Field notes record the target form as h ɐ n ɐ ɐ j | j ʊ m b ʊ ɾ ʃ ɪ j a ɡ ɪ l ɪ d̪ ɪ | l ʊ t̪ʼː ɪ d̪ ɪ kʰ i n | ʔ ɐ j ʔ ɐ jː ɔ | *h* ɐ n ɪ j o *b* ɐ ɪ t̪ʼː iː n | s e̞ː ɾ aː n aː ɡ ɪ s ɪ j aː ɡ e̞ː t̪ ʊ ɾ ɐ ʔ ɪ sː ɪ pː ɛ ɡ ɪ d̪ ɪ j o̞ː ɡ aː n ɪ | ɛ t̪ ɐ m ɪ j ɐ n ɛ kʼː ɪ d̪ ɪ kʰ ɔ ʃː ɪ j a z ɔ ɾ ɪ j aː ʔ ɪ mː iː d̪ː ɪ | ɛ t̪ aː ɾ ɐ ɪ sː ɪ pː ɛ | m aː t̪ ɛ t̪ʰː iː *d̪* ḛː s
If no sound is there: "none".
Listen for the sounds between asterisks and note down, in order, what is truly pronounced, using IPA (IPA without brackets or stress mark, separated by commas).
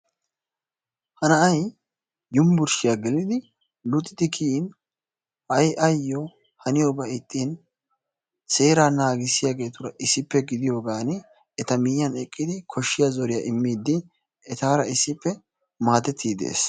h, b, d̪